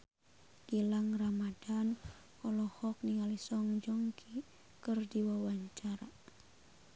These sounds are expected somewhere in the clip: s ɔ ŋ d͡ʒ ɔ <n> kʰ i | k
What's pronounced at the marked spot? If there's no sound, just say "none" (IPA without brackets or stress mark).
ŋ